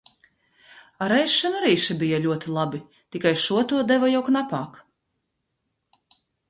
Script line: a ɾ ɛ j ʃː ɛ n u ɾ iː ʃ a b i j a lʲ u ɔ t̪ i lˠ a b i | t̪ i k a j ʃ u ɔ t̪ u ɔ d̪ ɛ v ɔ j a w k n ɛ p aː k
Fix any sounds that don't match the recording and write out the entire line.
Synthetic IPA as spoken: a ɾ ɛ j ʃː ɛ n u ɾ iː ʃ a b i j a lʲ u ɔ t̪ i lˠ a b i | t̪ i k a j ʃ u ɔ t̪ u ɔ d̪ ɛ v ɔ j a w k n a p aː k

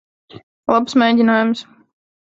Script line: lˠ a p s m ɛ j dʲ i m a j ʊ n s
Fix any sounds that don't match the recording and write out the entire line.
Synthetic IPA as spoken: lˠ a p s m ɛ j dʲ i n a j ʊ m s

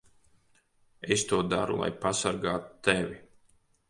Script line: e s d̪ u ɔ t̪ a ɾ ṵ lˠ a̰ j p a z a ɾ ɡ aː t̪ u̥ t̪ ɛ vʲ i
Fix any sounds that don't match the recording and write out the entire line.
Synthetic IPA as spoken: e s t̪ u ɔ d̪ a ɾ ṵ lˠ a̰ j p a s a ɾ ɡ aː t̪ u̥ t̪ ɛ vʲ i

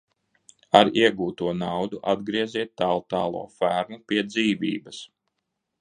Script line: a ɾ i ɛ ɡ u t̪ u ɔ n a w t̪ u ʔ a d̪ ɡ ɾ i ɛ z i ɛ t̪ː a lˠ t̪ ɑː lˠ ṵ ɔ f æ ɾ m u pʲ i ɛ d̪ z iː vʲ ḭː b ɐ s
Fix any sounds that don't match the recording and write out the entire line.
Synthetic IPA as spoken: a ɾ i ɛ ɡ uː t̪ u ɔ n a w d̪ u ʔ a d̪ ɡ ɾ i ɛ z i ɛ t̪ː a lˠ t̪ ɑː lˠ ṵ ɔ f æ ɾ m u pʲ i ɛ d̪ z iː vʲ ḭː b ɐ s

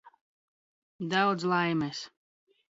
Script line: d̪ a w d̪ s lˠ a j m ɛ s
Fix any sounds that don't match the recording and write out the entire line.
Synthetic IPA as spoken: d̪ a w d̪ z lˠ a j m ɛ s

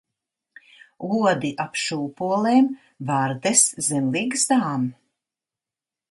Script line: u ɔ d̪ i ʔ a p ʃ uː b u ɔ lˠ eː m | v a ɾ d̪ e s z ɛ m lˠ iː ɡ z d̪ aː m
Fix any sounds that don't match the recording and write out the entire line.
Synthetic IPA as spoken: u ɔ d̪ i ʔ a p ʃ uː p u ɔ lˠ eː m | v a ɾ d̪ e s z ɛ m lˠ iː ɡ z d̪ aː m

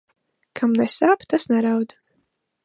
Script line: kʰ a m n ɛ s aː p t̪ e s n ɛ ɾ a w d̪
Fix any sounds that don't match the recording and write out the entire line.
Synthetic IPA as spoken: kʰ a m n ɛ s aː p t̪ a s n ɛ ɾ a w d̪

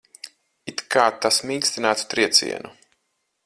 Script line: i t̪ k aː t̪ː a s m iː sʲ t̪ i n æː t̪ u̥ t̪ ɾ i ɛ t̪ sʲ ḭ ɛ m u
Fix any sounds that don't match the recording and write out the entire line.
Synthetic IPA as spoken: i t̪ k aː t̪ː a s m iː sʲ t̪ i n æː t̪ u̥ t̪ ɾ i ɛ t̪ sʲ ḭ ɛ n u

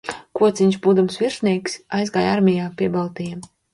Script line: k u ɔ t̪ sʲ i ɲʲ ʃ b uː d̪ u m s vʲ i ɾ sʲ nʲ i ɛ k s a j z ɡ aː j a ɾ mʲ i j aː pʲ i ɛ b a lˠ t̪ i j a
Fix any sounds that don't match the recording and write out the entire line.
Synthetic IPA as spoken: k u ɔ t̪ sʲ i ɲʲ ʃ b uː d̪ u m s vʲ i ɾ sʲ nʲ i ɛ k s a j z ɡ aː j a ɾ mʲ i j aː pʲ i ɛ b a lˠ t̪ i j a

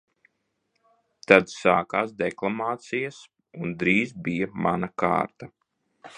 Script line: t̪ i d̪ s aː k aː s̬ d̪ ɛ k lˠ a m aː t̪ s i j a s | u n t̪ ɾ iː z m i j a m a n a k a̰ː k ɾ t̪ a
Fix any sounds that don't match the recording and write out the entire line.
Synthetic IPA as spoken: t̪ a d̪ s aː k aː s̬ d̪ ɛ k lˠ a m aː t̪ s i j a s | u n d̪ ɾ iː z b i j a m a n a k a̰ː ɾ t̪ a

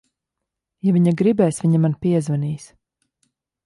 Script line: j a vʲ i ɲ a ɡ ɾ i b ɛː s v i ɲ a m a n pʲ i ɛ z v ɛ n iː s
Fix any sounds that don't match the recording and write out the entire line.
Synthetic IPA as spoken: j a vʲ i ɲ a ɡ ɾ i b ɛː s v i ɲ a m a n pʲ i ɛ z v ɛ n iː s

